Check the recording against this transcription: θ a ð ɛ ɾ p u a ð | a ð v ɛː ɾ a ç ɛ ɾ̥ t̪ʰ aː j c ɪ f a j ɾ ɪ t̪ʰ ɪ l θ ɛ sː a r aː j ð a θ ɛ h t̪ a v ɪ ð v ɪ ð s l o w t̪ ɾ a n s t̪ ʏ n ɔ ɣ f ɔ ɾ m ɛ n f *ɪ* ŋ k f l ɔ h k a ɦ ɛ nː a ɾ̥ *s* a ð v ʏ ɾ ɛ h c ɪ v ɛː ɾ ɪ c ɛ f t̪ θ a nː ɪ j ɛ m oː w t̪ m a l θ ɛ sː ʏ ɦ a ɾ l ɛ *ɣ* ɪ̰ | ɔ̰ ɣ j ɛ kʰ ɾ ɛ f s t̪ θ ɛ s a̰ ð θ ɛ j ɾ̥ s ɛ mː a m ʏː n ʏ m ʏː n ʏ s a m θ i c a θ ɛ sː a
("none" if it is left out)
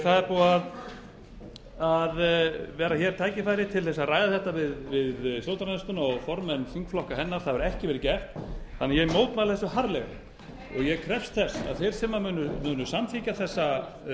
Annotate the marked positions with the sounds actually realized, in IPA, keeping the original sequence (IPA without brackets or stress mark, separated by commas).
i, θ, ɣ